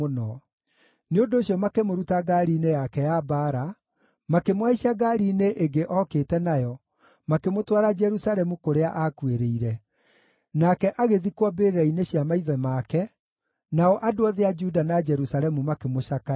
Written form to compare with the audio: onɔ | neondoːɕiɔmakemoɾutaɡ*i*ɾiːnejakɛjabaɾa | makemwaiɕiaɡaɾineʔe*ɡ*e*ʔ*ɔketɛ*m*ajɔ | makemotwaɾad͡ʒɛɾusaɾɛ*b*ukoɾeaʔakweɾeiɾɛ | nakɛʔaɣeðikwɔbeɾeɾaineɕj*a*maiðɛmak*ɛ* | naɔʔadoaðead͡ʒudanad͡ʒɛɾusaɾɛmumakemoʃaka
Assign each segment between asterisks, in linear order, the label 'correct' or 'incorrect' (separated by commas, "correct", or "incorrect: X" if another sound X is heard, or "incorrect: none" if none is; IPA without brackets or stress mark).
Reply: incorrect: a, correct, correct, incorrect: n, incorrect: m, correct, correct